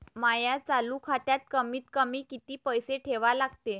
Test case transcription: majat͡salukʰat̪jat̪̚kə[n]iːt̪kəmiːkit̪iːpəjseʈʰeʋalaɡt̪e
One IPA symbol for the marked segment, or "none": m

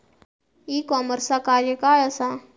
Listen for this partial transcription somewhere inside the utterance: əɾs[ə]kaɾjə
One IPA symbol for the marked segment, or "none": a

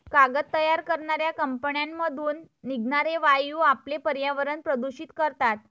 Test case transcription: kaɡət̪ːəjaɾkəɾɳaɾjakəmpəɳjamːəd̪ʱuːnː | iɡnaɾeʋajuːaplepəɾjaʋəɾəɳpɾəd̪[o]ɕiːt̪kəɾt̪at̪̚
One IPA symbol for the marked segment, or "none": u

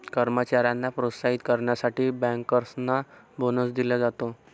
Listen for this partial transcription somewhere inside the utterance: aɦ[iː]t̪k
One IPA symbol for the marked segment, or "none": i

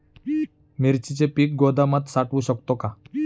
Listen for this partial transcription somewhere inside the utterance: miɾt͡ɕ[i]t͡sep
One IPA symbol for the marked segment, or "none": i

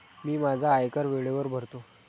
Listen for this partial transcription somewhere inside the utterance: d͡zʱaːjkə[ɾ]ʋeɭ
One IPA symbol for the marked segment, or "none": ɾ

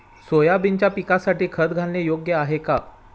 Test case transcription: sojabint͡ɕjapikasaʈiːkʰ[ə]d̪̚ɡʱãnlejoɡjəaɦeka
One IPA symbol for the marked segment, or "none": ə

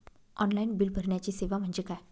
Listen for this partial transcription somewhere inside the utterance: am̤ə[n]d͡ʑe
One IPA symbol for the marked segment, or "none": ɳ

